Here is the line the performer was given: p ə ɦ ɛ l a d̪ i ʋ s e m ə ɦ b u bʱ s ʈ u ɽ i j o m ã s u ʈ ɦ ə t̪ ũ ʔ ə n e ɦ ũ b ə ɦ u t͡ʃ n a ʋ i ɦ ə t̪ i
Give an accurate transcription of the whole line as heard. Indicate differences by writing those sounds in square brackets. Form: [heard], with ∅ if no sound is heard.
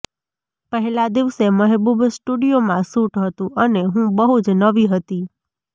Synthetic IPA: p ə ɦ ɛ l a d̪ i ʋ s e m ə ɦ b u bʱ s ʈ u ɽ i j o m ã s u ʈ ɦ ə t̪ ũ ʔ ə n e ɦ ũ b ə ɦ u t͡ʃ n [ə] ʋ i ɦ ə t̪ i